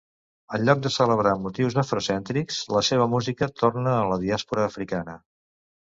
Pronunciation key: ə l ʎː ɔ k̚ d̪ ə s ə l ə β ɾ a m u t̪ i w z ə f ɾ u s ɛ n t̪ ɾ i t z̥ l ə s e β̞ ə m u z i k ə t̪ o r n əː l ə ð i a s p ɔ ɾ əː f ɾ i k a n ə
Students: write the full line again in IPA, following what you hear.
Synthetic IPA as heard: ə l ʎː ɔ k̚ d̪ ə s ə l ə β ɾ a m u t̪ i w z ə f ɾ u s ɛ n t̪ ɾ i k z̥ l ə s e β̞ ə m u z i k ə t̪ o r n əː l ə ð i a s p u ɾ əː f ɾ i k a n ə

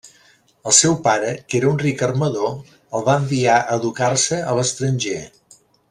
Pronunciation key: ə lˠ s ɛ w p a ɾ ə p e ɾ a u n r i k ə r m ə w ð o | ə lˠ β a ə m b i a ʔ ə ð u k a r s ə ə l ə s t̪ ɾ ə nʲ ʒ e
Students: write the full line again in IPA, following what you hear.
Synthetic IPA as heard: ə lˠ s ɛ w p a ɾ ə k e ɾ ə u n r i k ə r m ə ð o | ə lˠ β a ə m b i a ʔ ə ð u k a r s ə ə l ə s t̪ ɾ ə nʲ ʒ e

